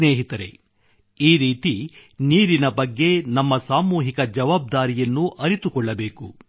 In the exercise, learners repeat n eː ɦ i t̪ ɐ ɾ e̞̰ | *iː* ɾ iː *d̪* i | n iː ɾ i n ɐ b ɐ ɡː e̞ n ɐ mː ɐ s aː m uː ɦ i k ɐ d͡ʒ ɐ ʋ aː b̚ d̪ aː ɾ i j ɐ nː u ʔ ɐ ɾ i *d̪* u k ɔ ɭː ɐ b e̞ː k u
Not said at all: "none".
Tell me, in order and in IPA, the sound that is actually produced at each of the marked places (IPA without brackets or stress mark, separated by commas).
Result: iː, t̪, t̪